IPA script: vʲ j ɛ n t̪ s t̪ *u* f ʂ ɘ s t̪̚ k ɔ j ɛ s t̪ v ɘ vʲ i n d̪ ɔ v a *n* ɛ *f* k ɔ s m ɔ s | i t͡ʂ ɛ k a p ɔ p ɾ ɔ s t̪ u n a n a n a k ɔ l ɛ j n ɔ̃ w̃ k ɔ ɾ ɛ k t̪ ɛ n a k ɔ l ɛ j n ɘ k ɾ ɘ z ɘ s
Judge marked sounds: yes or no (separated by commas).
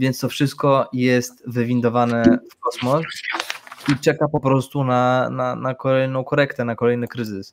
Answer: no, yes, yes